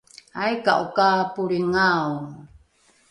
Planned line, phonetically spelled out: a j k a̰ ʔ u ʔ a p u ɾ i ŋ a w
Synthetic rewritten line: a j k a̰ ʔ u k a p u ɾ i ŋ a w